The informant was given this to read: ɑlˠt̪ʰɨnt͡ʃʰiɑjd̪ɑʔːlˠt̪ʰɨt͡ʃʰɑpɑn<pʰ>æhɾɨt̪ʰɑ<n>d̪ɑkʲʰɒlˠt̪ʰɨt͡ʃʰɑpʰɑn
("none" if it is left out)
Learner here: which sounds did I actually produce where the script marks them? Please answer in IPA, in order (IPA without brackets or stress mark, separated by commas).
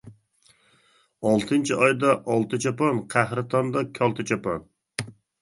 qʰ, n